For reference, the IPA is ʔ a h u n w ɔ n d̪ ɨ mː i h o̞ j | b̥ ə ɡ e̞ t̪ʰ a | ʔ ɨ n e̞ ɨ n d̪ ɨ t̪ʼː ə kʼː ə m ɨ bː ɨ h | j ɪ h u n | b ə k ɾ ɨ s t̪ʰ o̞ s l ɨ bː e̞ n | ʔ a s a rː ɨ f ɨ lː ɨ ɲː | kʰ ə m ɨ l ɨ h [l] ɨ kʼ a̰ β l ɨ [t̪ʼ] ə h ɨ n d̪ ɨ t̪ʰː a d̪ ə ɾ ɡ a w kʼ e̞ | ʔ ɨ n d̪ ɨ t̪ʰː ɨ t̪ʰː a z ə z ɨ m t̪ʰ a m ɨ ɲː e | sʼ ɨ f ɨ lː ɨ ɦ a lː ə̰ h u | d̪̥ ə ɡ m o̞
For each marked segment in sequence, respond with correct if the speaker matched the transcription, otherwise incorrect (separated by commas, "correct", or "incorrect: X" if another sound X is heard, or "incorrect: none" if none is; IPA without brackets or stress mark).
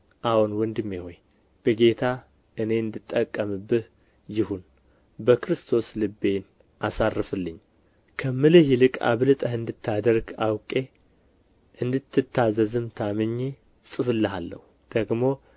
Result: correct, correct